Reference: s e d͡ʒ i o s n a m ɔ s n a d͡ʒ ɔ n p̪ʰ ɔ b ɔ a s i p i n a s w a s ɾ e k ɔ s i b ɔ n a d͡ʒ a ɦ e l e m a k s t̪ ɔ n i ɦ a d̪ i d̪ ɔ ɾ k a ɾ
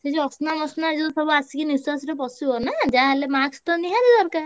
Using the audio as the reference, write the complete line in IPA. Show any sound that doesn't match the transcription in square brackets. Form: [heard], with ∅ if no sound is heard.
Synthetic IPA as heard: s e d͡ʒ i [ɔ] s n a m ɔ s n a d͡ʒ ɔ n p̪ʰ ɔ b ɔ a s i [k] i n [i] s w a s ɾ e [p] ɔ s i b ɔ n a d͡ʒ a ɦ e l e m a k s t̪ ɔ n i ɦ a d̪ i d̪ ɔ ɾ k a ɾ